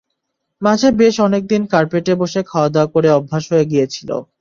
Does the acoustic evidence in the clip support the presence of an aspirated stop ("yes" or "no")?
yes